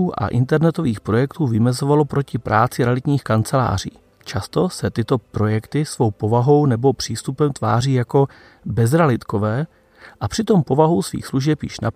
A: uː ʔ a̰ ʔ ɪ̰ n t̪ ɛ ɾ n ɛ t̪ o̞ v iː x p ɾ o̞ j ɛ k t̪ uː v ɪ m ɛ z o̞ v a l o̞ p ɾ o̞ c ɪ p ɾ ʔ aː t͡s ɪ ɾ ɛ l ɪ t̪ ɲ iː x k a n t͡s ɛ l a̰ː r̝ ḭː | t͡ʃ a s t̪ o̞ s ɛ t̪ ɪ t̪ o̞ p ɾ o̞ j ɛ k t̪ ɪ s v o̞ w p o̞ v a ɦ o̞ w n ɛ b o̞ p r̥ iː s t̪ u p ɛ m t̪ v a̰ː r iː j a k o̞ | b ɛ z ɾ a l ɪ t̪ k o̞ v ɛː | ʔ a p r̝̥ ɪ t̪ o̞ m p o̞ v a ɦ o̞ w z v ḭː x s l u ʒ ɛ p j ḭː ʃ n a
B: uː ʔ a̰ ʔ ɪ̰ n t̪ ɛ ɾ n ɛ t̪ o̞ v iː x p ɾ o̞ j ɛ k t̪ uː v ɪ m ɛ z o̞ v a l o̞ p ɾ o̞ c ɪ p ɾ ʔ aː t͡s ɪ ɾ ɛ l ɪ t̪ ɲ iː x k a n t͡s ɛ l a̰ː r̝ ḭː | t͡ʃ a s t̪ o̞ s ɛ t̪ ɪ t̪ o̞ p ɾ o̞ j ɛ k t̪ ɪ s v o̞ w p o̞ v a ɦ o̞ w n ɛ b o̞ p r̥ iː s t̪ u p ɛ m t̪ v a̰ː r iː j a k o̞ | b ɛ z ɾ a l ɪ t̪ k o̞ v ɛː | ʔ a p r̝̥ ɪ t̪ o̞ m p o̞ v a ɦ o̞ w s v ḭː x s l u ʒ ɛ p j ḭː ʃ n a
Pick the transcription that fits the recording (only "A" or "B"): B